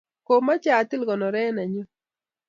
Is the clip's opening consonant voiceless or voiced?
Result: voiceless